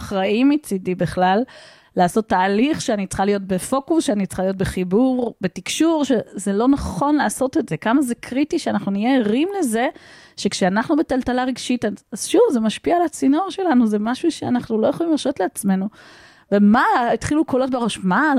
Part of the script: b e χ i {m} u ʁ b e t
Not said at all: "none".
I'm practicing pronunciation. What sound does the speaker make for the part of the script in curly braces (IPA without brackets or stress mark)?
b